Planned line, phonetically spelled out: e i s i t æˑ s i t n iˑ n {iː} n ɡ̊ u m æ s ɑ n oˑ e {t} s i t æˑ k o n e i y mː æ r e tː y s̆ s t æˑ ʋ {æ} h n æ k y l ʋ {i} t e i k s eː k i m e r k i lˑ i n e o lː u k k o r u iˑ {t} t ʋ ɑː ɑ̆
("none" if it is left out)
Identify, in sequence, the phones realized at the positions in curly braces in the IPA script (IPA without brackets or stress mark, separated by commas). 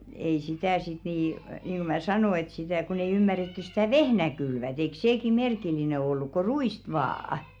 iː, t, e, æ, s